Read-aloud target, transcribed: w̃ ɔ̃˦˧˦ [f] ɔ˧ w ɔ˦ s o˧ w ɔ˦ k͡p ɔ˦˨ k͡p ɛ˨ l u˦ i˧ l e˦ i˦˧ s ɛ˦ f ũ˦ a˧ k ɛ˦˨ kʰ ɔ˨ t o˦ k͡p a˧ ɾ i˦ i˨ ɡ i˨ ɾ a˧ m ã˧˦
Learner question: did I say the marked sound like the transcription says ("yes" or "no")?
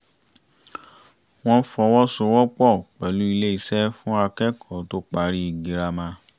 yes